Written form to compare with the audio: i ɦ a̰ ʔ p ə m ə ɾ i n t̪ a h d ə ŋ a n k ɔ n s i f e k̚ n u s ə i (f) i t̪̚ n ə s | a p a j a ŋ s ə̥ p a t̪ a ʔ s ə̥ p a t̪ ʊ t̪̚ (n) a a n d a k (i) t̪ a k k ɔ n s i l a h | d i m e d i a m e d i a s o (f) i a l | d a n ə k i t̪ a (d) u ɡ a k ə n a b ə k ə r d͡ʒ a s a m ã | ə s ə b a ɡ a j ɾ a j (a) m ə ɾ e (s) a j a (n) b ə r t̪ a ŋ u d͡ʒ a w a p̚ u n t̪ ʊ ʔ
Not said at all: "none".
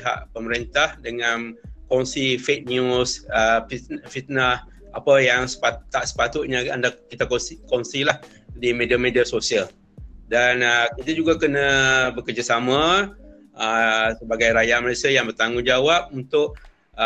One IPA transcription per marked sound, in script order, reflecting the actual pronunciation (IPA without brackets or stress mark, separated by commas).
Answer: f, ɲ, i, s, d͡ʒ, a, s, ŋ